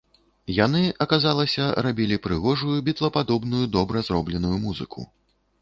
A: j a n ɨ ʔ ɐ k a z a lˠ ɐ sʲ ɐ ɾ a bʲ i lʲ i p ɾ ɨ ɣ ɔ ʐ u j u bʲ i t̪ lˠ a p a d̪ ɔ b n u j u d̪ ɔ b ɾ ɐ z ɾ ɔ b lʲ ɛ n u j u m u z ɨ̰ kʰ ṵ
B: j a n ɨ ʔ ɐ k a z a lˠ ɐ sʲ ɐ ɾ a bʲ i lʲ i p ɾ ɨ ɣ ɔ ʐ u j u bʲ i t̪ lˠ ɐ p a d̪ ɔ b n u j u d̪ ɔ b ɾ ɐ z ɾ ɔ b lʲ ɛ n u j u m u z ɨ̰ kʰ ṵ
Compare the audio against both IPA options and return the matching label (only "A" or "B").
B